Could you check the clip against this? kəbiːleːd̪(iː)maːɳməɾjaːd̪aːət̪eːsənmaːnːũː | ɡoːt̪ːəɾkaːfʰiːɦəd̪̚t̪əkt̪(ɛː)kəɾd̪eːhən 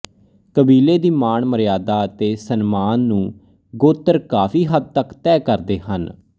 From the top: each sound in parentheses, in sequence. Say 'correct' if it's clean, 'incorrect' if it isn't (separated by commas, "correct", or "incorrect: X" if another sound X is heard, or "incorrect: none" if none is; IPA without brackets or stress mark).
correct, correct